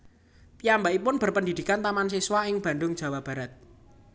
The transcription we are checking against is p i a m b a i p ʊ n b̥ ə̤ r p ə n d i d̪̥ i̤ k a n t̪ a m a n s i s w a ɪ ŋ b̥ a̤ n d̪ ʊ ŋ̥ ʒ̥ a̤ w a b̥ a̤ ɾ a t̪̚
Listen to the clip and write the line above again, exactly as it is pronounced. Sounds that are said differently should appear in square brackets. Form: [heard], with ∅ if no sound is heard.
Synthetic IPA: p i a m b a i p ʊ n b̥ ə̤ r p ə n d i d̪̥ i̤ k a n t̪ a m a n s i s w a ɪ ŋ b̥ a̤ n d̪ ʊ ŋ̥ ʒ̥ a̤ w a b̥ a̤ ɾ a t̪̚